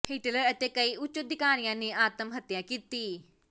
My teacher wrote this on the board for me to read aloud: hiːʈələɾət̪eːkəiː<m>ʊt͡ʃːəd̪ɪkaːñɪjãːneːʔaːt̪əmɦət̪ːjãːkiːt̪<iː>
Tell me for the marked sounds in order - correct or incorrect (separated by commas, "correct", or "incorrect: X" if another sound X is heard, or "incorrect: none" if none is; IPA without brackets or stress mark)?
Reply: incorrect: none, correct